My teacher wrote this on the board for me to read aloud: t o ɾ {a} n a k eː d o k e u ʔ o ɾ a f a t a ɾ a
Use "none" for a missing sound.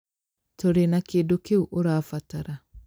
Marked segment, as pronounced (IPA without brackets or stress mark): e